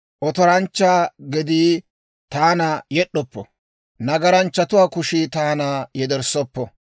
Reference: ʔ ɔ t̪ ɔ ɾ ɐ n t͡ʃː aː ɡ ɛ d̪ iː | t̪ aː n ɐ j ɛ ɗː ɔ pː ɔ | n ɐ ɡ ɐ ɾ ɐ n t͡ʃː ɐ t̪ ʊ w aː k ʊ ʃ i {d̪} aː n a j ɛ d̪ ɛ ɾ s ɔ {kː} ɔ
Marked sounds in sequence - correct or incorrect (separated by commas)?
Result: incorrect, incorrect